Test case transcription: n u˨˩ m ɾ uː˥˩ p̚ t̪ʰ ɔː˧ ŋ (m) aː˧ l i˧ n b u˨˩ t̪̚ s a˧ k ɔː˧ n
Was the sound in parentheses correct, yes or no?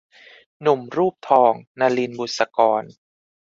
no